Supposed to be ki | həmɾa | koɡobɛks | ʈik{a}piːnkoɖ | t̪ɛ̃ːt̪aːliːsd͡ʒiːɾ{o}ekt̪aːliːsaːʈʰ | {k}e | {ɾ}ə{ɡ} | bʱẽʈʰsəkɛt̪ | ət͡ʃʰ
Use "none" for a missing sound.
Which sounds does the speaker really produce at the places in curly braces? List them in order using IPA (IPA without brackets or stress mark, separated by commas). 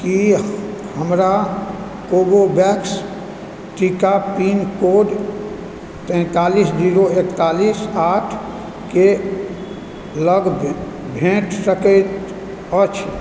a, o, k, l, ɡ